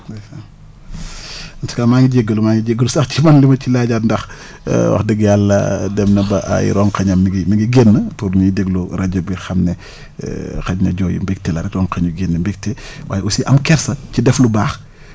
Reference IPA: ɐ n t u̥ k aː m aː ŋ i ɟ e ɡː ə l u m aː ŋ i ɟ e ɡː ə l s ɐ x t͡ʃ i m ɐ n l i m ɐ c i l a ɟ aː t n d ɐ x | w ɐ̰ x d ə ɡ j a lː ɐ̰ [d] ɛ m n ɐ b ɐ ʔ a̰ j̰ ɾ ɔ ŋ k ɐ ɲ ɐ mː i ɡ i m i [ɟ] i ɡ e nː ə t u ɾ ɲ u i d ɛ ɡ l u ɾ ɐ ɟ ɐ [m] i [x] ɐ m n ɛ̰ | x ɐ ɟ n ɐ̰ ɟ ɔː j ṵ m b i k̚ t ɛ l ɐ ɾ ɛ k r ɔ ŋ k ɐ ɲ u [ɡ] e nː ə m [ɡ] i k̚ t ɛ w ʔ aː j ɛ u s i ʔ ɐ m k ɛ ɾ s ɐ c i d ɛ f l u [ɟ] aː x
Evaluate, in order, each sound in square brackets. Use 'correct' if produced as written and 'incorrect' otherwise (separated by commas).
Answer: correct, incorrect, incorrect, correct, correct, incorrect, incorrect